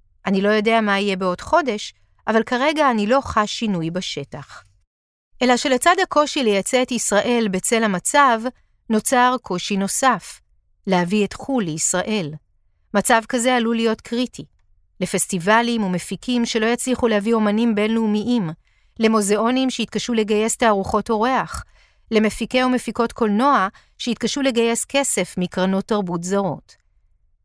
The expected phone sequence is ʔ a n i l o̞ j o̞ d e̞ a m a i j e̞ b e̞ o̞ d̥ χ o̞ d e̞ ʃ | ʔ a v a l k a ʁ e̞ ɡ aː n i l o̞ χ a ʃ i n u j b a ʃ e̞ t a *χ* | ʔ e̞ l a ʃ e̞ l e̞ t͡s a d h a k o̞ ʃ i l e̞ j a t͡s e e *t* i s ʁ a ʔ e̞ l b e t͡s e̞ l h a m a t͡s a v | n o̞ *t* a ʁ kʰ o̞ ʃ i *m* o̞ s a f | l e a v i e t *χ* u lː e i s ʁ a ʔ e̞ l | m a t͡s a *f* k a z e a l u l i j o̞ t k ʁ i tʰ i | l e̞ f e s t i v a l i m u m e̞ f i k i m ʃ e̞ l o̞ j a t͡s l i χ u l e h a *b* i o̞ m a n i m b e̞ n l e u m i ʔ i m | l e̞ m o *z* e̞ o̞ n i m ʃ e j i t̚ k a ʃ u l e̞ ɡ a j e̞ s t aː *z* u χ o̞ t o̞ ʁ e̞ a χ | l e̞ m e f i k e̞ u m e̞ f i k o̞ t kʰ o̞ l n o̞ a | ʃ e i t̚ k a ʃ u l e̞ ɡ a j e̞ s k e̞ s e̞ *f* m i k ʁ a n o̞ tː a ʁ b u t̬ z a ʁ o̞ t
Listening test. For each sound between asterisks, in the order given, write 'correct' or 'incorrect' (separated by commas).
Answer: correct, correct, incorrect, incorrect, correct, incorrect, incorrect, correct, incorrect, correct